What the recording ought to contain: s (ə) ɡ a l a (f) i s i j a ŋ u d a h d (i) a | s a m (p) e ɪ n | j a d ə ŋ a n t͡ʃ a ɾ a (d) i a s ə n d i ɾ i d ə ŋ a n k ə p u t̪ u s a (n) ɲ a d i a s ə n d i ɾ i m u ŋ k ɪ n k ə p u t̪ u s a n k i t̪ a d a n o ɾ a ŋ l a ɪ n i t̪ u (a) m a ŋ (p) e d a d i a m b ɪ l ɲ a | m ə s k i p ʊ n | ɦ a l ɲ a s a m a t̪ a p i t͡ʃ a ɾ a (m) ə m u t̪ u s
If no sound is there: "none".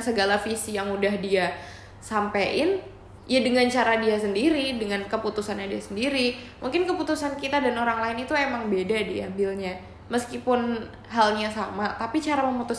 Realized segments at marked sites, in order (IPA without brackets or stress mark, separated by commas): ə, f, i, p, d, n, e, b, m